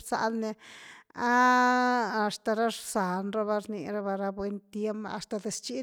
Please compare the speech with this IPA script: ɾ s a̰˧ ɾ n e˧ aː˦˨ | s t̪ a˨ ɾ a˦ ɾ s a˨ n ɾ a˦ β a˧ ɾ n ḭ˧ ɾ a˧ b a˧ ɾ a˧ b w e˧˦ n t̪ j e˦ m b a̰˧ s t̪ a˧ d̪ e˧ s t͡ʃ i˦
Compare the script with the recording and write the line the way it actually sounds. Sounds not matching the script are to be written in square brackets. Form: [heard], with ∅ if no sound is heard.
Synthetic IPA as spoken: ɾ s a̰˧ [l] n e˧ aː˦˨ | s t̪ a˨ ɾ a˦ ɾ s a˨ n ɾ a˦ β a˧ ɾ n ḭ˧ ɾ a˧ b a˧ ɾ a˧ b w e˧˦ n t̪ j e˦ m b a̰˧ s t̪ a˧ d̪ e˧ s t͡ʃ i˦